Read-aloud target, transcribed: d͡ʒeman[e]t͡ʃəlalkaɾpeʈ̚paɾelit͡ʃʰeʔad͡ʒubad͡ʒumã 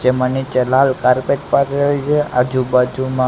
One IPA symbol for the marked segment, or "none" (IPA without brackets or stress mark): i